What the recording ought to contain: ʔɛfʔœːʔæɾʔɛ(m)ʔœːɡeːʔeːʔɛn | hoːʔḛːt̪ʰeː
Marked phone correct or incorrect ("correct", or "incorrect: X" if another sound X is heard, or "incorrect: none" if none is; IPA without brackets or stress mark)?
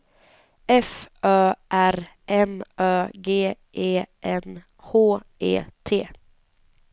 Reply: correct